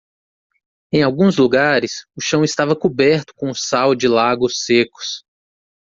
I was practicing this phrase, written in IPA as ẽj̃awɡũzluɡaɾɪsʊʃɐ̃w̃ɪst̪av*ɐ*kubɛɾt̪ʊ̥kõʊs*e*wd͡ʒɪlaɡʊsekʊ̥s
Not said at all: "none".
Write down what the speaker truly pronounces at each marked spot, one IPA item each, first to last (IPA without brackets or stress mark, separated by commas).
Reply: ɐ, a